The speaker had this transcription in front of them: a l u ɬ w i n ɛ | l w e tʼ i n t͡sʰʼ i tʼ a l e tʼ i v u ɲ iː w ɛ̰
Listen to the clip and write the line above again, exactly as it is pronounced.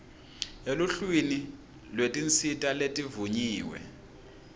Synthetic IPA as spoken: e l u ɬ w i n i | l w e tʼ i n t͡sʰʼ i tʼ a l e tʼ i v u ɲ iː w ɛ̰